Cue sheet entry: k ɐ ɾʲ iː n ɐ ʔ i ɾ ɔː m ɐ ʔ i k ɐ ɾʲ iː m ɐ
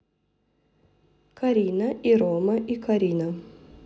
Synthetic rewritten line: k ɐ ɾʲ iː n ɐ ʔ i ɾ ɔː m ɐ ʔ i k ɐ ɾʲ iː n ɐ